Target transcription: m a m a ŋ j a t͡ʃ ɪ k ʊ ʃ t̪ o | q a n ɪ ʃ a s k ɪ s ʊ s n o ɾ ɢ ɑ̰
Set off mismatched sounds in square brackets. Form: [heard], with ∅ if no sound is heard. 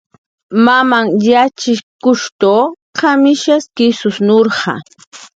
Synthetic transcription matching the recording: m a m a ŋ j a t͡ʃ ɪ k ʊ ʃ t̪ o | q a [m] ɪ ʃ a s k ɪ s ʊ s n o ɾ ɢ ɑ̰